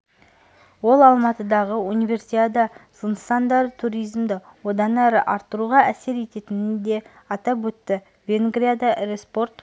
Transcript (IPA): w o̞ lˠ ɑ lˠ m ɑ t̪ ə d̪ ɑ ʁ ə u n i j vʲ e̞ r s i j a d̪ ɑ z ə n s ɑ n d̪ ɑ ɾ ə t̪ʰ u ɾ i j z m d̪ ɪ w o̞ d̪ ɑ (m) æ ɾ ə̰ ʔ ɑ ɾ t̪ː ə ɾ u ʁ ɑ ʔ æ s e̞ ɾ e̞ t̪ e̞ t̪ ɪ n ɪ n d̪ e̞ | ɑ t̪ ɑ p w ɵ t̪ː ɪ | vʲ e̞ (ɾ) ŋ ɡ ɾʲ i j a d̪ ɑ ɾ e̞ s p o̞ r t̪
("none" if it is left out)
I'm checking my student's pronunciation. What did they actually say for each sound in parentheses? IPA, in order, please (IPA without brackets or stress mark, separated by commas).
n, none